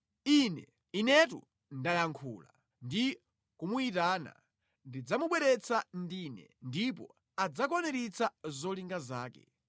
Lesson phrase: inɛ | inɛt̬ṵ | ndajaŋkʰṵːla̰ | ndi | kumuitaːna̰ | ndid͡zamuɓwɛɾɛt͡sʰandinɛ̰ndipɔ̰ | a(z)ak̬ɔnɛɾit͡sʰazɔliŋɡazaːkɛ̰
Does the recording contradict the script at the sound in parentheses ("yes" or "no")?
yes